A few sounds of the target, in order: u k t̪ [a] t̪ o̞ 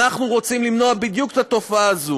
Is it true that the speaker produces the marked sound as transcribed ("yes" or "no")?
yes